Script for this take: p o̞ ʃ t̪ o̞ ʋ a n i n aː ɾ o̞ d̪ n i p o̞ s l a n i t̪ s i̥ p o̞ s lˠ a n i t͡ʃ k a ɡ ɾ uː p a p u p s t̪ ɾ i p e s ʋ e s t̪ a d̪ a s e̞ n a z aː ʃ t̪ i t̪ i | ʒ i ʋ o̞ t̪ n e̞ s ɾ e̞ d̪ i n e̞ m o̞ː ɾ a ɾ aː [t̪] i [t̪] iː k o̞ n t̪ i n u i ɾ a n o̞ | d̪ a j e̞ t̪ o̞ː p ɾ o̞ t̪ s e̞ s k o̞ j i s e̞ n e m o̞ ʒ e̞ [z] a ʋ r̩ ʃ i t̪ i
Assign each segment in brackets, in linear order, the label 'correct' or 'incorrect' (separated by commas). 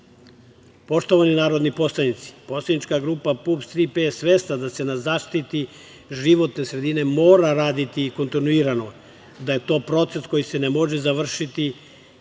incorrect, correct, correct